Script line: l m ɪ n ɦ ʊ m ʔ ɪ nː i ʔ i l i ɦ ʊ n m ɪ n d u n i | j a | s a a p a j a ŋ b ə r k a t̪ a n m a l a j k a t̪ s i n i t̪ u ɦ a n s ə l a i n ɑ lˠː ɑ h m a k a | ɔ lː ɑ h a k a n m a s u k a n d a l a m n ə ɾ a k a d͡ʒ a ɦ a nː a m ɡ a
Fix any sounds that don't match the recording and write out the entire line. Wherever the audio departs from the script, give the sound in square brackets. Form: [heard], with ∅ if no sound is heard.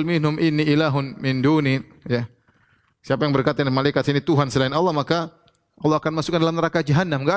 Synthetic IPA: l m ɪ n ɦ ʊ m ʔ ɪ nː i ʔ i l [a] ɦ ʊ n m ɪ n d u n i | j a | s [i] a p a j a ŋ b ə r k a t̪ a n m a l a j k a t̪ s i n i t̪ u ɦ a n s ə l a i n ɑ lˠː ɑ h m a k a | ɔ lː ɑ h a k a n m a s u k a n d a l a m n ə ɾ a k a d͡ʒ a ɦ a nː a m ɡ a